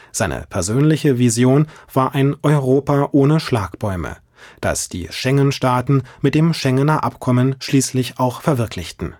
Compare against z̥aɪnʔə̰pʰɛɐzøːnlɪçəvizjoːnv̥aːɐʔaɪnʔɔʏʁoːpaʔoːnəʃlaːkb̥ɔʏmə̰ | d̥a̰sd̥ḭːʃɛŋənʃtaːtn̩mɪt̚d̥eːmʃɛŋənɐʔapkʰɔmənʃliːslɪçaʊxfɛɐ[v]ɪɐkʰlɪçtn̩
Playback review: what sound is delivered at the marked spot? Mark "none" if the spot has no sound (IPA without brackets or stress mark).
v